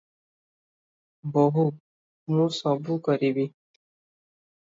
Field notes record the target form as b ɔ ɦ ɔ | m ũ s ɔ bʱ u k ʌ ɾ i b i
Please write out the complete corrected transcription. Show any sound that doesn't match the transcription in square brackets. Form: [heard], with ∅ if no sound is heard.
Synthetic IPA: b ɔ ɦ [u] | m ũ s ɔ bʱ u k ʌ ɾ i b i